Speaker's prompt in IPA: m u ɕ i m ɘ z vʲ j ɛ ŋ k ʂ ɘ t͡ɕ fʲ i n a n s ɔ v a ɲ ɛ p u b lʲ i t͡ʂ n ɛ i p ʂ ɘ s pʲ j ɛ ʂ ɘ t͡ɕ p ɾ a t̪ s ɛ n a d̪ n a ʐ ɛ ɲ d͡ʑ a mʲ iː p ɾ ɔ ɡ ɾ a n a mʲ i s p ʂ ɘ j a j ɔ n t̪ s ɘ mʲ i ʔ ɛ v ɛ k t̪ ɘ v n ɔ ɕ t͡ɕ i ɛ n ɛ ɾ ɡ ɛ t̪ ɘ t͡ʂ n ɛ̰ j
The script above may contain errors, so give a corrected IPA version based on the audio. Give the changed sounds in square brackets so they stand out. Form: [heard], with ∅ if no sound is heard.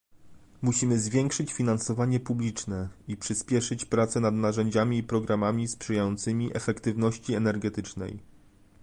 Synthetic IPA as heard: m u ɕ i m ɘ z vʲ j ɛ ŋ k ʂ ɘ t͡ɕ fʲ i n a n s ɔ v a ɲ ɛ p u b lʲ i t͡ʂ n ɛ i p ʂ ɘ s pʲ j ɛ ʂ ɘ t͡ɕ p ɾ a t̪ s ɛ n a d̪ n a ʐ ɛ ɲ d͡ʑ a mʲ iː p ɾ ɔ ɡ ɾ a [m] a mʲ i s p ʂ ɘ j a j ɔ n t̪ s ɘ mʲ i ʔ ɛ [f] ɛ k t̪ ɘ v n ɔ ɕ t͡ɕ i ɛ n ɛ ɾ ɡ ɛ t̪ ɘ t͡ʂ n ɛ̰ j